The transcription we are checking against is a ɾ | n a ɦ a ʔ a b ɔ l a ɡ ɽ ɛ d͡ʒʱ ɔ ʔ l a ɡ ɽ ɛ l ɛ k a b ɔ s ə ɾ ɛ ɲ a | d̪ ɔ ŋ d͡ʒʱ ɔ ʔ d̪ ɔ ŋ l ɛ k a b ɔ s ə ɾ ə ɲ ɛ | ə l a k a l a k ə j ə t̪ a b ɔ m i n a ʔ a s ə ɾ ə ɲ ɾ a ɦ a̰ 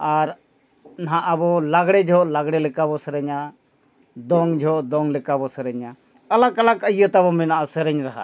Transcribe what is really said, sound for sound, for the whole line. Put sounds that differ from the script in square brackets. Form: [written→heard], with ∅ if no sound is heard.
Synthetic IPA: a ɾ | n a ɦ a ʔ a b ɔ l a ɡ ɽ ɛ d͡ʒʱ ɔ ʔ l a ɡ ɽ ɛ l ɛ k a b ɔ s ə ɾ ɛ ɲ a | d̪ ɔ ŋ d͡ʒʱ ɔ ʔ d̪ ɔ ŋ l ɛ k a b ɔ s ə ɾ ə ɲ [ɛ→a] | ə l a k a l a k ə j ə t̪ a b ɔ m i n a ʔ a s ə ɾ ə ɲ ɾ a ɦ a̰